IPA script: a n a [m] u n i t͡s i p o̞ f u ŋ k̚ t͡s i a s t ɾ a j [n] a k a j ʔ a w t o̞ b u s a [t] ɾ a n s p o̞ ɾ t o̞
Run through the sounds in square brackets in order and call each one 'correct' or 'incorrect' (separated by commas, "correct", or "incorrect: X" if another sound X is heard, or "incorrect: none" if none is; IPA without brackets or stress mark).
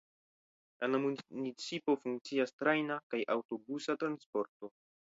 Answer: correct, correct, correct